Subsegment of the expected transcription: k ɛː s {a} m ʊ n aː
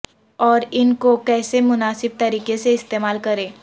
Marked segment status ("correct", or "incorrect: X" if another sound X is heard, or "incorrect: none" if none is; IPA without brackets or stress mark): incorrect: e